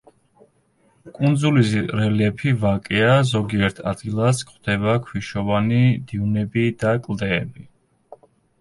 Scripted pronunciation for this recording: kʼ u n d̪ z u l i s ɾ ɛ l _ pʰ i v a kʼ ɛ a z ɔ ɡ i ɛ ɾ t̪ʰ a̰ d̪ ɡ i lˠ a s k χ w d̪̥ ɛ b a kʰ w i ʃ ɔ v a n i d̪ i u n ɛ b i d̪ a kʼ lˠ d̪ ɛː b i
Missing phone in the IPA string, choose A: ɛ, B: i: A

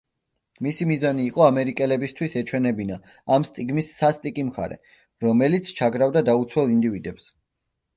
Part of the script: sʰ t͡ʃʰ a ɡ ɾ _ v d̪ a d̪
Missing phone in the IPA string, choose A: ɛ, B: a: B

